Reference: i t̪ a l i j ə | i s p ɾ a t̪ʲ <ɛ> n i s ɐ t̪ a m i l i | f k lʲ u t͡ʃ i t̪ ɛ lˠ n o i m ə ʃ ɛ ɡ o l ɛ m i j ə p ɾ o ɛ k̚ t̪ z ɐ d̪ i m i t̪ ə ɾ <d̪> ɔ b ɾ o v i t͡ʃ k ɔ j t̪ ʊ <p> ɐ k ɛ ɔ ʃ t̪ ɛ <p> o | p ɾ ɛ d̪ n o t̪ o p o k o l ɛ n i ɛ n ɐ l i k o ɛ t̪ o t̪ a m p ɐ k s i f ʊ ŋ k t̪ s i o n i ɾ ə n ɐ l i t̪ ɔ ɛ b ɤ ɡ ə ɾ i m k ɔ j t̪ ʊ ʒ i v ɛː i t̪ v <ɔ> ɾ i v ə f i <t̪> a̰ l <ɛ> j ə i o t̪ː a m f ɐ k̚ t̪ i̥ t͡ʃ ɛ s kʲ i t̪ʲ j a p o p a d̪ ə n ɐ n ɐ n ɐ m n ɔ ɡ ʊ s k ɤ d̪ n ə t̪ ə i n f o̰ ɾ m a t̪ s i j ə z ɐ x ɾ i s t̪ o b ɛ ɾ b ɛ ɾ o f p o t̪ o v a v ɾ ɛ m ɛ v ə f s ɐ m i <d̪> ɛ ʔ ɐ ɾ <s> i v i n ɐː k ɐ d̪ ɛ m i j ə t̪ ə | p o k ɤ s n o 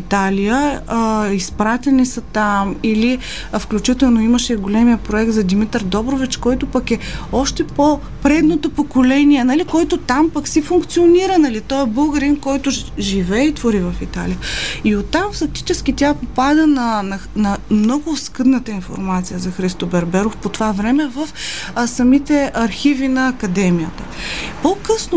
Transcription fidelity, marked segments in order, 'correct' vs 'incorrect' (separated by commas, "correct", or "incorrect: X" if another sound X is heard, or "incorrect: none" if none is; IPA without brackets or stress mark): correct, correct, correct, correct, incorrect: o, correct, incorrect: i, incorrect: t̪, incorrect: x